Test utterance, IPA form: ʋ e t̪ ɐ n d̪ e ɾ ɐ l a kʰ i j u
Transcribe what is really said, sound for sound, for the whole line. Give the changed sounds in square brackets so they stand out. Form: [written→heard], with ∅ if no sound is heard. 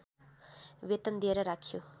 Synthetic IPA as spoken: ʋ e t̪ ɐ n d̪ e ɾ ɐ [l→ɾ] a kʰ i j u